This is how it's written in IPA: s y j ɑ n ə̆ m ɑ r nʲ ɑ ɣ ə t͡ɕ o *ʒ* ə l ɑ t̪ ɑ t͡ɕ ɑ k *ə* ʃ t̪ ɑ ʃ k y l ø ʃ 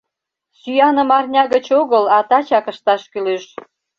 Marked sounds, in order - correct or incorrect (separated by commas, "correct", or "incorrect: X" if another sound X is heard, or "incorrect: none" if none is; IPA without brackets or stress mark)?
incorrect: ɣ, correct